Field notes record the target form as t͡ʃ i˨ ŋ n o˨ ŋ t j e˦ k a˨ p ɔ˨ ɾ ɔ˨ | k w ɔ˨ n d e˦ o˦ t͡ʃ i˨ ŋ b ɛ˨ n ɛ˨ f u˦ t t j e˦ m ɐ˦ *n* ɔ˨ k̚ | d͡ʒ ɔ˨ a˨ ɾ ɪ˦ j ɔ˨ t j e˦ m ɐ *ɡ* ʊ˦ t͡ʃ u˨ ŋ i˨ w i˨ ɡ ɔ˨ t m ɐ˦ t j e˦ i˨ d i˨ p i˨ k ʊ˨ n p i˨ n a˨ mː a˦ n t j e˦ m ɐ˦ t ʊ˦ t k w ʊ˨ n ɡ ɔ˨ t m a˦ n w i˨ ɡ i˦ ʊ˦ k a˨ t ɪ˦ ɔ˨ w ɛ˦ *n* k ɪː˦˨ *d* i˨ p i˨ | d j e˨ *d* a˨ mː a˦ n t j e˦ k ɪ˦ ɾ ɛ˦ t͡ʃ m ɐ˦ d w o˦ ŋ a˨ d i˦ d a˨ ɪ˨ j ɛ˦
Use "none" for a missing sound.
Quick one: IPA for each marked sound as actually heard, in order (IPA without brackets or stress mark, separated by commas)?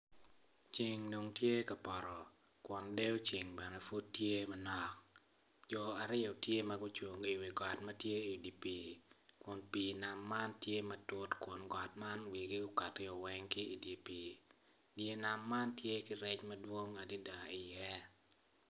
n, ɡ, ŋ, d, n